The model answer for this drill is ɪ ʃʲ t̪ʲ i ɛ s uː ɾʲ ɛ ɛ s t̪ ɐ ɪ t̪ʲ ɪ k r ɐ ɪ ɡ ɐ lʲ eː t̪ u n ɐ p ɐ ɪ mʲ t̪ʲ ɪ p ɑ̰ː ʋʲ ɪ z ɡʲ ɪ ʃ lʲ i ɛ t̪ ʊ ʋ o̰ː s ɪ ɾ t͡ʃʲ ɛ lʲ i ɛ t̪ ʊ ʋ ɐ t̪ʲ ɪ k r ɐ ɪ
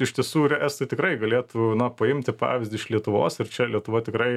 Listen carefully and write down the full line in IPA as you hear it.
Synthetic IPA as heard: ɪ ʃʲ t̪ʲ i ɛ s uː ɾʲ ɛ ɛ s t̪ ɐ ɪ t̪ʲ ɪ k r ɐ ɪ ɡ ɐ lʲ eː t̪ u n ɐ p ɐ ɪ mʲ t̪ʲ ɪ p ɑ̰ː ʋʲ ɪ z dʲ ɪ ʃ lʲ i ɛ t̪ ʊ ʋ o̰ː s ɪ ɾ t͡ʃʲ ɛ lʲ i ɛ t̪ ʊ ʋ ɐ t̪ʲ ɪ k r ɐ ɪ

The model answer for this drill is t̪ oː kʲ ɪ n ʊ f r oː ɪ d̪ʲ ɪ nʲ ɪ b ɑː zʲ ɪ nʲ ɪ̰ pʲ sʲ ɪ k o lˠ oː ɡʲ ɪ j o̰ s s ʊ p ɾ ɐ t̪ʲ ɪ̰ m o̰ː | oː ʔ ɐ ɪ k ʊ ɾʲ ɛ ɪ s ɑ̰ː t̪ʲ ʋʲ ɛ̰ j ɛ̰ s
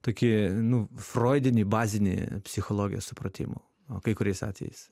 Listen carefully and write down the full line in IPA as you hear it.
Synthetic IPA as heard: t̪ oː kʲ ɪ n ʊ f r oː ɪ d̪ʲ ɪ nʲ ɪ b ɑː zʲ ɪ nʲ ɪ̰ pʲ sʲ ɪ x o lˠ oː ɡʲ ɪ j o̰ s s ʊ p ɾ ɐ t̪ʲ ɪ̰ m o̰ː | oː k ɐ ɪ k ʊ ɾʲ ɛ ɪ s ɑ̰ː t̪ʲ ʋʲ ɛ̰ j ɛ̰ s

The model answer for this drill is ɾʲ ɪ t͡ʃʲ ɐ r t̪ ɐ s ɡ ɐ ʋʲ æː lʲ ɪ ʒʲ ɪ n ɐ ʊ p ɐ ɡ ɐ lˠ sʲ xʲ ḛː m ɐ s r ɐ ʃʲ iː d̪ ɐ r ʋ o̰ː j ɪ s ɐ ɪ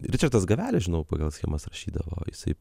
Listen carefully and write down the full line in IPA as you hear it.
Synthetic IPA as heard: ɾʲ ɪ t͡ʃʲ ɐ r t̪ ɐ s ɡ ɐ ʋʲ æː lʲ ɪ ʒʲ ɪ n ɐ ʊ p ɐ ɡ ɐ lˠ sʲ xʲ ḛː m ɐ s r ɐ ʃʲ iː d̪ ɐ ʋ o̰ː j ɪ s ɐ ɪ

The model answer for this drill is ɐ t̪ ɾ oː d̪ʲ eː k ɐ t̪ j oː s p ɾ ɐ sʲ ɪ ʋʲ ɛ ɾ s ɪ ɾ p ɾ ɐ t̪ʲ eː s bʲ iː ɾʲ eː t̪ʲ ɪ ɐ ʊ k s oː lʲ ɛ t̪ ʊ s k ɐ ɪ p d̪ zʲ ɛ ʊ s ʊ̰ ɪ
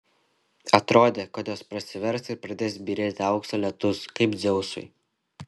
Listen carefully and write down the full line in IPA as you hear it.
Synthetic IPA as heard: ɐ t̪ ɾ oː d̪ʲ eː k ɐ t̪ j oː s p ɾ ɐ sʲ ɪ ʋʲ ɛ ɾ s ɪ ɾ p ɾ ɐ d̪ʲ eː s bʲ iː ɾʲ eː t̪ʲ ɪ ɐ ʊ k s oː lʲ ɛ t̪ ʊ s k ɐ ɪ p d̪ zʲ ɛ ʊ s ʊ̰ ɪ

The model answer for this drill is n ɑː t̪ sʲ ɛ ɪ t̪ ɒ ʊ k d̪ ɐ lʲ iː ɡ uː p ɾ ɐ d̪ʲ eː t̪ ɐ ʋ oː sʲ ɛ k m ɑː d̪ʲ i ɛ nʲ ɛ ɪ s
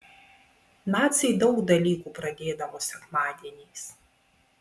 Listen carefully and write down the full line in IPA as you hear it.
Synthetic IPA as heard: n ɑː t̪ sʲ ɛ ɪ d̪ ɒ ʊ k d̪ ɐ lʲ iː k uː p ɾ ɐ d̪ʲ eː d̪ ɐ ʋ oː sʲ ɛ k m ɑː d̪ʲ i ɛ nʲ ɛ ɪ s

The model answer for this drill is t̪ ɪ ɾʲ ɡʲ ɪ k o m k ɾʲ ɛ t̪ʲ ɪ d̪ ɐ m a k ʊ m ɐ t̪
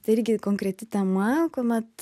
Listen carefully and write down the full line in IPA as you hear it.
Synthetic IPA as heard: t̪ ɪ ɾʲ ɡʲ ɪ k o ŋ k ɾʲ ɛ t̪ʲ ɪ t̪ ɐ m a k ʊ m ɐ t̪

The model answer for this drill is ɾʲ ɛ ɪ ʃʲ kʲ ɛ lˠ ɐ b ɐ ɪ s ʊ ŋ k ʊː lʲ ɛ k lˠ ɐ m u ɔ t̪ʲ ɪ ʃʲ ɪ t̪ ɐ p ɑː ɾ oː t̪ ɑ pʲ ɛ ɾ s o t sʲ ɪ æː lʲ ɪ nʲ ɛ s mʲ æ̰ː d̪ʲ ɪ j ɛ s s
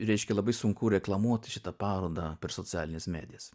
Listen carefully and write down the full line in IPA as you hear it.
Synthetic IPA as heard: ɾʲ ɛ ɪ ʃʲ kʲ ɛ lˠ ɐ b ɐ ɪ s ʊ ŋ k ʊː ɾʲ ɛ k lˠ ɐ m u ɔ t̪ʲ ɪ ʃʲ ɪ t̪ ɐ p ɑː ɾ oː d̪ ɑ pʲ ɛ ɾ s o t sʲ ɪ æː lʲ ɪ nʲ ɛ s mʲ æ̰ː d̪ʲ ɪ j ɛ s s

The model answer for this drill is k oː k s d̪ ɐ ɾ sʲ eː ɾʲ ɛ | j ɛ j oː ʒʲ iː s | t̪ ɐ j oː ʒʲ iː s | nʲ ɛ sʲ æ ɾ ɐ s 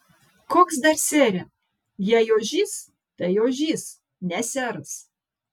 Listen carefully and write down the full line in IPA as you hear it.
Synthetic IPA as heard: k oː k s d̪ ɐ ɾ sʲ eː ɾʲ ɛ | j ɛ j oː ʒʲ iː s | t̪ ɐ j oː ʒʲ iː s | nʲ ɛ sʲ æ ɾ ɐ s

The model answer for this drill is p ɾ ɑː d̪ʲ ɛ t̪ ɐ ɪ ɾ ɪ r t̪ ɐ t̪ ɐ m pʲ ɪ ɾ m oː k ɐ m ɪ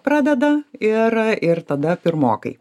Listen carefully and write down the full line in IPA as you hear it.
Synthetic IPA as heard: p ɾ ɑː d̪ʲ ɛ d̪ ɐ ɪ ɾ ɪ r t̪ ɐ d̪ ɐ pʲ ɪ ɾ m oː k ɐ ɪ

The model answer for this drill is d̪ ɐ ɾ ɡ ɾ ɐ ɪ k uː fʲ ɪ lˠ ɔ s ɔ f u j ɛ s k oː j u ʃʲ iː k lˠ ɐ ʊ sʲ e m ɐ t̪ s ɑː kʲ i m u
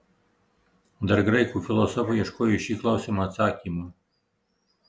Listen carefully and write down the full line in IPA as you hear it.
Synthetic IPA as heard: d̪ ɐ ɾ ɡ ɾ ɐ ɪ k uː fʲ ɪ lˠ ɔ s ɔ f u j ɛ ʃ k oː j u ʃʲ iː k lˠ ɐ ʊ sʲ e m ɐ t̪ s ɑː kʲ i m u

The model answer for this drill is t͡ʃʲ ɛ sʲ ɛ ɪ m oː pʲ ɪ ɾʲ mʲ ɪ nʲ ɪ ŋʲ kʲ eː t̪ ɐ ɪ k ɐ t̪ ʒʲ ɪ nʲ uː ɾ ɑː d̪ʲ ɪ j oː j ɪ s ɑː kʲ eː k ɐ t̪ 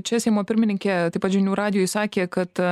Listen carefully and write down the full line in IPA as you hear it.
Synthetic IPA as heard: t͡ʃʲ ɛ sʲ ɛ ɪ m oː pʲ ɪ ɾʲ mʲ ɪ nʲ ɪ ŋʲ kʲ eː t̪ ɐ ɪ p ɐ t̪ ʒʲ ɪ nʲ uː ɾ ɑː d̪ʲ ɪ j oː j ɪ s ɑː kʲ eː k ɐ t̪

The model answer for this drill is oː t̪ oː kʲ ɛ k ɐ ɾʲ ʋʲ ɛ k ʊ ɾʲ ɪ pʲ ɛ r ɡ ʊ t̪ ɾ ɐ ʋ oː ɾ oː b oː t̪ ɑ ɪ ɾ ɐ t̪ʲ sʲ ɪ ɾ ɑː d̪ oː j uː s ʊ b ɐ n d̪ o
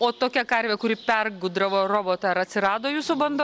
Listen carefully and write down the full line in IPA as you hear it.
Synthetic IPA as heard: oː t̪ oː kʲ ɛ k ɐ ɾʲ ʋʲ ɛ k ʊ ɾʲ ɪ pʲ ɛ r ɡ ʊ d̪ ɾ ɐ ʋ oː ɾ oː b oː t̪ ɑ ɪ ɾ ɐ t̪ʲ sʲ ɪ ɾ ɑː d̪ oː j uː s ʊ b ɐ n d̪ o

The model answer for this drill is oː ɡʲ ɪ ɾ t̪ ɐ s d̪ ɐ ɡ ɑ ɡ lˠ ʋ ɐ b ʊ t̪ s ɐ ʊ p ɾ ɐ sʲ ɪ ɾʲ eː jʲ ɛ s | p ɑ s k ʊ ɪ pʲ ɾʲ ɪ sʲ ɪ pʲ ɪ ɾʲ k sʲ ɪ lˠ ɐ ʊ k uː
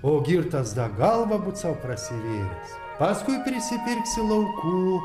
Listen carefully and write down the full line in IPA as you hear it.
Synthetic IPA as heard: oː ɡʲ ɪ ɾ t̪ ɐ s d̪ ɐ ɡ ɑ lˠ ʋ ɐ b ʊ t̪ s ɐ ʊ p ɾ ɐ sʲ ɪ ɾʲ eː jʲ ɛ s | p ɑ s k ʊ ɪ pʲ ɾʲ ɪ sʲ ɪ pʲ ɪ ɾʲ k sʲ ɪ lˠ ɐ ʊ k uː

